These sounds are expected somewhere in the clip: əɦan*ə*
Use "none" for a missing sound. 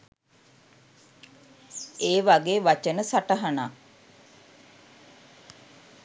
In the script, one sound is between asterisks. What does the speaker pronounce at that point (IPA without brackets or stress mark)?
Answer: a